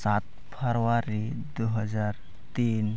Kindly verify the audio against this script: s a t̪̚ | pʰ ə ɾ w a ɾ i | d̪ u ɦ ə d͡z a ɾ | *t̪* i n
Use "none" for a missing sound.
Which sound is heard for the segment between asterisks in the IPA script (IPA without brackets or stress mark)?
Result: t̪